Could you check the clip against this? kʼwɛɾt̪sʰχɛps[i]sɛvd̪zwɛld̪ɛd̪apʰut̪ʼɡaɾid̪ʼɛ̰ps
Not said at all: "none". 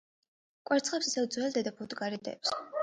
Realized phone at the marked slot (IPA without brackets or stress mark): i